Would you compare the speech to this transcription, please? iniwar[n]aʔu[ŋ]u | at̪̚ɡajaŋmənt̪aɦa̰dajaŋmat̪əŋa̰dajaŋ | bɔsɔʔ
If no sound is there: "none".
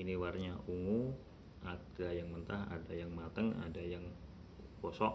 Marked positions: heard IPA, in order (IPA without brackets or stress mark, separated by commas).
ɲ, ŋ